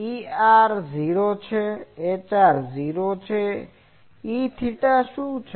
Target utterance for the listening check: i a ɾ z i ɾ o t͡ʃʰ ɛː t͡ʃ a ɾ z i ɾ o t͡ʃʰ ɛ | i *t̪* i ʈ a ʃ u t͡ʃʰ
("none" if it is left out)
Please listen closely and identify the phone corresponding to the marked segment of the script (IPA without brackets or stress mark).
t̪ʰ